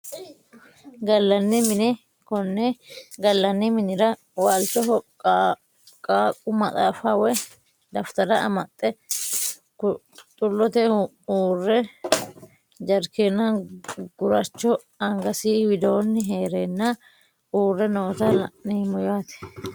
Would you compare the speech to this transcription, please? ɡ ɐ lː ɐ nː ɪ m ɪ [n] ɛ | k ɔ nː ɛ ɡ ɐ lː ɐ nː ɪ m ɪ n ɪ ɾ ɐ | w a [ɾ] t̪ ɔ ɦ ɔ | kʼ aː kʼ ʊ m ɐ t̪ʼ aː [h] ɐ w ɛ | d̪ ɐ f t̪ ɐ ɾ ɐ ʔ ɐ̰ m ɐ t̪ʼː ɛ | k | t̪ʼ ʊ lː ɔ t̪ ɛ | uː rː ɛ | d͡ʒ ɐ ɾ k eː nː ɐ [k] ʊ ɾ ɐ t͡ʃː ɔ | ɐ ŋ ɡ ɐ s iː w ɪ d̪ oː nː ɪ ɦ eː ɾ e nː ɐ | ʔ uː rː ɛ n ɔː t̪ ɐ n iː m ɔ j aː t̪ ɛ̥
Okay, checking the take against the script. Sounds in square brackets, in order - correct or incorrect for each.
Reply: correct, incorrect: l, incorrect: f, incorrect: ɡ

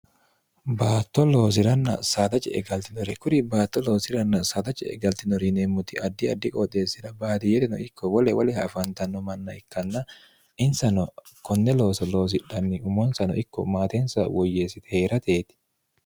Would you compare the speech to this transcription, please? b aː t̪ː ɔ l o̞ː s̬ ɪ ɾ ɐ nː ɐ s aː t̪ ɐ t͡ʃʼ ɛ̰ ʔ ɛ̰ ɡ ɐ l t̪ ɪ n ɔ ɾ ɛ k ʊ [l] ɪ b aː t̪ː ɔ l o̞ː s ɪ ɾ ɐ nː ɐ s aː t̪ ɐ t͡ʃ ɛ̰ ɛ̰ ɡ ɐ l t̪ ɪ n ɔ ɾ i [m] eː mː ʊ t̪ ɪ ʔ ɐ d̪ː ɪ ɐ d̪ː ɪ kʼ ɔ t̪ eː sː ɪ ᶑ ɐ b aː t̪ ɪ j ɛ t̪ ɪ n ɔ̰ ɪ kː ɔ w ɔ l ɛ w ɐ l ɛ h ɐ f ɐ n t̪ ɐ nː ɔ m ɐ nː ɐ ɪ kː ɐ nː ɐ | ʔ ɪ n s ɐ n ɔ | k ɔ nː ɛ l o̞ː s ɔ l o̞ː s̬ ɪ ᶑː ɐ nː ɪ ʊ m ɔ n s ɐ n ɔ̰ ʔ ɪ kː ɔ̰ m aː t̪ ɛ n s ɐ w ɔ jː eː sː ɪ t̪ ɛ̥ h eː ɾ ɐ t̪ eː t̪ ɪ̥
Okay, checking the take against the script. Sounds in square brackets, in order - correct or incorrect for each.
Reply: incorrect: ɾ, incorrect: n

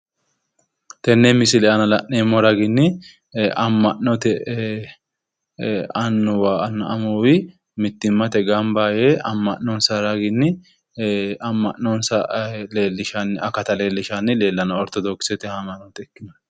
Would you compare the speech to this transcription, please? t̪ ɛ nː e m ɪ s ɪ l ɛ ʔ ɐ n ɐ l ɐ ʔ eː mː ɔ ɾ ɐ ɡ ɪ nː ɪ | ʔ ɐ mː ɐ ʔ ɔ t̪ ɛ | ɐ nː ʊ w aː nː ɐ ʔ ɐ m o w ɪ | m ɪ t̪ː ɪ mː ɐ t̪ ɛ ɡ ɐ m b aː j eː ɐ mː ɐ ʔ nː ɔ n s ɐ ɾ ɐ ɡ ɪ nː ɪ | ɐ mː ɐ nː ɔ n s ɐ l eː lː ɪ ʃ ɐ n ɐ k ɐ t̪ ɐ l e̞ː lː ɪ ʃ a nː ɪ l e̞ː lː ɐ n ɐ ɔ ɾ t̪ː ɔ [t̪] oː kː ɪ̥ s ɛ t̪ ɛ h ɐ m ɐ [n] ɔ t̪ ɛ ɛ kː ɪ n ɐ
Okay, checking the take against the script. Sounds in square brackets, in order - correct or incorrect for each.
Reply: incorrect: d̪, correct

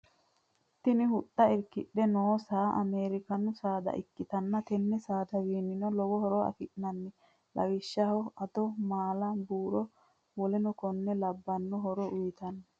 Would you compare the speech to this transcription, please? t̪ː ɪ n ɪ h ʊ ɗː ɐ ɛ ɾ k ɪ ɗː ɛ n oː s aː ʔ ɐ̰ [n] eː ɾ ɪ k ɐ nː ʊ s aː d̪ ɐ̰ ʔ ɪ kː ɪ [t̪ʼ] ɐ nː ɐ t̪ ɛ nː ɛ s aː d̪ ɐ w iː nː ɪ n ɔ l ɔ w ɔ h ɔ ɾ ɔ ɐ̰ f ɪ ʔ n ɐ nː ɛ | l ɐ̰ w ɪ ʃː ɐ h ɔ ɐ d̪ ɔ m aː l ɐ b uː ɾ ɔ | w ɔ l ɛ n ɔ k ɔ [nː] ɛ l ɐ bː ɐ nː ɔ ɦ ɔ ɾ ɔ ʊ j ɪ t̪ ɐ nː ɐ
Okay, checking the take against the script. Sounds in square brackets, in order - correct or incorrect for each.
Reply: incorrect: m, incorrect: t̪, correct

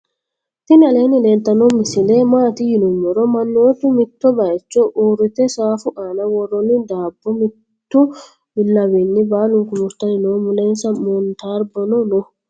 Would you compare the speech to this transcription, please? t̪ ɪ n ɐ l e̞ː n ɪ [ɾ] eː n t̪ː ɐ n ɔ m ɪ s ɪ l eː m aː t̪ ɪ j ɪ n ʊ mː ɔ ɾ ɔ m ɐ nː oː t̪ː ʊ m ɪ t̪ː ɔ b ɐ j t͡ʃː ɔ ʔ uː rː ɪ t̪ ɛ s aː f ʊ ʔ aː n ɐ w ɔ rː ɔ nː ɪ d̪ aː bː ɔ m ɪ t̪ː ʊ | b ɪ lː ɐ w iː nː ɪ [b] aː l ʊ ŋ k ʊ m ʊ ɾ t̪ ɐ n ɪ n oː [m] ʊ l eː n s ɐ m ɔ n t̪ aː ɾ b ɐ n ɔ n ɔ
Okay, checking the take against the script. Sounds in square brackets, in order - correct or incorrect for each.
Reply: incorrect: l, correct, correct

